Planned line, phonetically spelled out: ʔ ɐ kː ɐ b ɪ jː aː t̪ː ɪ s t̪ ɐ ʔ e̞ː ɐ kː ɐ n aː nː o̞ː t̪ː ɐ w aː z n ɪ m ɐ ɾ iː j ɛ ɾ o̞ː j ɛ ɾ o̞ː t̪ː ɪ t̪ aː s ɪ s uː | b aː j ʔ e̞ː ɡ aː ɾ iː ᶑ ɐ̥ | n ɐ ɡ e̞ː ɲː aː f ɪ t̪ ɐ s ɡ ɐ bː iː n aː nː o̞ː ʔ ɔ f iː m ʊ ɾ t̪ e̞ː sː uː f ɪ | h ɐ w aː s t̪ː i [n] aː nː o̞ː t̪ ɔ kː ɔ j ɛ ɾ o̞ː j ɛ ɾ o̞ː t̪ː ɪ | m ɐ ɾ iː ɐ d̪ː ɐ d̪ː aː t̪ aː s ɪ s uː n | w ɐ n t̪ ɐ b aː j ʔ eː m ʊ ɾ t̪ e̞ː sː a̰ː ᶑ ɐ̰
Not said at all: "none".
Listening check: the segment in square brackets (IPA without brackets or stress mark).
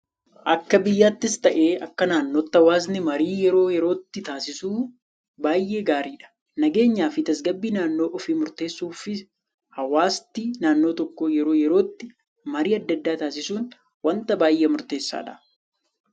n